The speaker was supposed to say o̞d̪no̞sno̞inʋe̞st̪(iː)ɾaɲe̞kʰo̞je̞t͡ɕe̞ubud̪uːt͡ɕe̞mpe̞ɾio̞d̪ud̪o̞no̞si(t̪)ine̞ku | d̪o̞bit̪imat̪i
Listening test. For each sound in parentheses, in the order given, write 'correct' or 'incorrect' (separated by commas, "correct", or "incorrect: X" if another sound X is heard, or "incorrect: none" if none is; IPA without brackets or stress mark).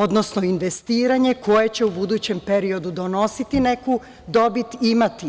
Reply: correct, correct